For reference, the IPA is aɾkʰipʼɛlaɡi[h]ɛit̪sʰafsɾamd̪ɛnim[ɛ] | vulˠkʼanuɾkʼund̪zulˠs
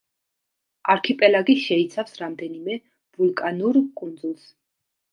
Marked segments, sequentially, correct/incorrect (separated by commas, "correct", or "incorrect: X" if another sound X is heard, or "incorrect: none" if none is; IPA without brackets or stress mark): incorrect: ʃ, correct